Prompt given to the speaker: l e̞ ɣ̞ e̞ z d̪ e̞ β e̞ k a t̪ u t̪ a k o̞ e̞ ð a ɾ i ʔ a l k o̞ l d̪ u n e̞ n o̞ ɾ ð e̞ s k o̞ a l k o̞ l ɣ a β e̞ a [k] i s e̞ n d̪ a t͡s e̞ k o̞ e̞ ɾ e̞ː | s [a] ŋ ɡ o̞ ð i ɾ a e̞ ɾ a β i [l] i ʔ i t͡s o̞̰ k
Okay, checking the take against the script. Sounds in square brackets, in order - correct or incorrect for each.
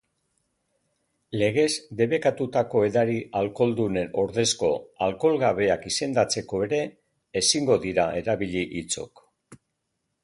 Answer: correct, incorrect: i, incorrect: ʎ

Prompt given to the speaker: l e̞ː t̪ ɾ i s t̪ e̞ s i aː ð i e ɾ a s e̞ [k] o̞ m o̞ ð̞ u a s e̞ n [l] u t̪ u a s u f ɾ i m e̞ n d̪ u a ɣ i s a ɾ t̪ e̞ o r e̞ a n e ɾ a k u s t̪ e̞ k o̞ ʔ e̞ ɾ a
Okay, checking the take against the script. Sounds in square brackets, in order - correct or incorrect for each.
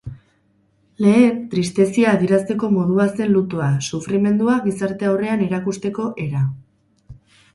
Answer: correct, correct

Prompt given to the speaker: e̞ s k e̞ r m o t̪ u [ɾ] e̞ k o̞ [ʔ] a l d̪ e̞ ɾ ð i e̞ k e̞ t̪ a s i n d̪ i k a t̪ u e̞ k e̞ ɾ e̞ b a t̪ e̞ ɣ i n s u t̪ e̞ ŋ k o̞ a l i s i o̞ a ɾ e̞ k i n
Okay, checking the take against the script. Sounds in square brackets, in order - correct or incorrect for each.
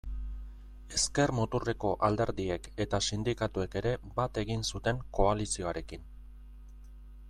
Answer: incorrect: r, correct

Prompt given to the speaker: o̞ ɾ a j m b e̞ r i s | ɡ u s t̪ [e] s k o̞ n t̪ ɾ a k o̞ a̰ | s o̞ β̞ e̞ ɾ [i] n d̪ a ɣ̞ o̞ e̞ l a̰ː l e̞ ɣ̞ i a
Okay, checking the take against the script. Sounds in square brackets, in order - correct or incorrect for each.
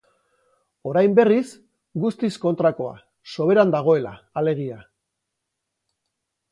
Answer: incorrect: i, incorrect: a

